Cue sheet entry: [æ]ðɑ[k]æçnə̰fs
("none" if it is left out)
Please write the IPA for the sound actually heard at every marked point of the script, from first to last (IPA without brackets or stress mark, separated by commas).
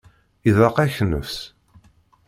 i, q